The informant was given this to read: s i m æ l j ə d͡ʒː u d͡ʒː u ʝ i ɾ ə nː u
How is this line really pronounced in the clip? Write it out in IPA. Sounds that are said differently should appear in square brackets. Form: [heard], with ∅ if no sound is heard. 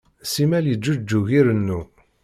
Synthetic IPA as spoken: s i m æ l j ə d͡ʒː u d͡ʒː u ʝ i ɾ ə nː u